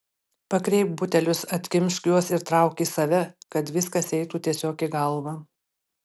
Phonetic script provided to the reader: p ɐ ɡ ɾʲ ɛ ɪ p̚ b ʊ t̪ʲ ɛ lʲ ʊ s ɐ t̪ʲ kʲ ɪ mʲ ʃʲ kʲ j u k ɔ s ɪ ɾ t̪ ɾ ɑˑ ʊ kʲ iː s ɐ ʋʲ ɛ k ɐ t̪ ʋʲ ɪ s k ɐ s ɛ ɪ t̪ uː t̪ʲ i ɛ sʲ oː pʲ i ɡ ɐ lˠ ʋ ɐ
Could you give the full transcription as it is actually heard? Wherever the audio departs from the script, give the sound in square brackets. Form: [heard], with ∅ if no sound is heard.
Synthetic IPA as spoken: p ɐ [k] ɾʲ ɛ ɪ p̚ b ʊ t̪ʲ ɛ lʲ ʊ s ɐ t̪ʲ kʲ ɪ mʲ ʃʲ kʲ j u [∅] ɔ s ɪ ɾ t̪ ɾ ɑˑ ʊ kʲ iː s ɐ ʋʲ ɛ k ɐ t̪ ʋʲ ɪ s k ɐ s ɛ ɪ t̪ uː t̪ʲ i ɛ sʲ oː [kʲ] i ɡ ɐ lˠ ʋ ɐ